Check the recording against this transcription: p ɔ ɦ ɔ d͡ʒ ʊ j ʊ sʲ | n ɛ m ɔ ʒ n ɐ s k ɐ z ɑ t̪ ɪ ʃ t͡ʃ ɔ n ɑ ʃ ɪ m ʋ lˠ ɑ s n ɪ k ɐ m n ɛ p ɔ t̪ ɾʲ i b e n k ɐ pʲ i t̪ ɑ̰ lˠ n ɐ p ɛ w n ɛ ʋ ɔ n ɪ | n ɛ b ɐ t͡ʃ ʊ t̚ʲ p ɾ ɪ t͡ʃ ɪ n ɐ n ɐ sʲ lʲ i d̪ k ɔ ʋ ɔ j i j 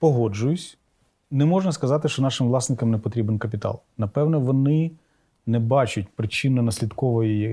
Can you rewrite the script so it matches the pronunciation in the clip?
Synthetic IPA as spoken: p ɔ ɦ ɔ d͡ʒ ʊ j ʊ sʲ | n ɛ m ɔ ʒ n ɐ s k ɐ z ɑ t̪ ɪ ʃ t͡ʃ ɔ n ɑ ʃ ɪ m ʋ lˠ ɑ s n ɪ k ɐ m n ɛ p ɔ t̪ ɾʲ i b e n k ɐ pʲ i t̪ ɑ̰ lˠ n ɐ p ɛ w n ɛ ʋ ɔ n ɪ | n ɛ b ɑ t͡ʃ ʊ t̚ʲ p ɾ ɪ t͡ʃ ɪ n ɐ n ɐ sʲ lʲ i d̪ k ɔ ʋ ɔ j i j